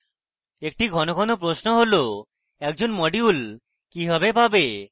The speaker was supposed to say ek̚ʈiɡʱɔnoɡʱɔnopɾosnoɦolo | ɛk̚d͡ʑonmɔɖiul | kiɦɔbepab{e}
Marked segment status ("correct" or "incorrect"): correct